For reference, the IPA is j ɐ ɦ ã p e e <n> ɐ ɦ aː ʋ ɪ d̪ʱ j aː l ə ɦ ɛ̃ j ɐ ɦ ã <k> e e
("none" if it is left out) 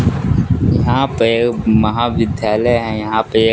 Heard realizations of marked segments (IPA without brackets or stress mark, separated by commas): m, p